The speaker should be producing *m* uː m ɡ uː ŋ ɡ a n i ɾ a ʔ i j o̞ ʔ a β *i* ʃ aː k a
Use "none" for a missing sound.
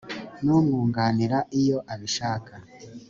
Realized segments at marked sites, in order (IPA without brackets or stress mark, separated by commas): n, i